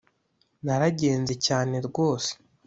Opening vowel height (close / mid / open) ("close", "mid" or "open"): open